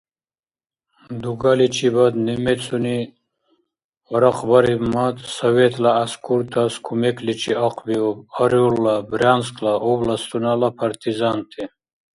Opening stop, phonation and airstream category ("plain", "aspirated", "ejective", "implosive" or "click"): plain